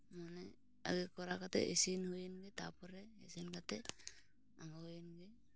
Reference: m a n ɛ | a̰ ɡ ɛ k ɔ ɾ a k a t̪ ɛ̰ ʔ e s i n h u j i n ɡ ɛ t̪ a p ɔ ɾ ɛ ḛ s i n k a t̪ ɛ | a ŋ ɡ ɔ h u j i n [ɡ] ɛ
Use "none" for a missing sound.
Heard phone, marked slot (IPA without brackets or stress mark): ɡ